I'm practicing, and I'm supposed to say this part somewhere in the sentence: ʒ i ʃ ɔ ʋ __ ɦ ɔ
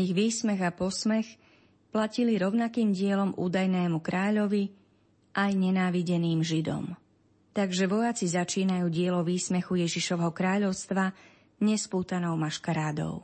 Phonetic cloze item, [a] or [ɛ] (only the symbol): ɛ